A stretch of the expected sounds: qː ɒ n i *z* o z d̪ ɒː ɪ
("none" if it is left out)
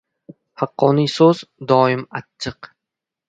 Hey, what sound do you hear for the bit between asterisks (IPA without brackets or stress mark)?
s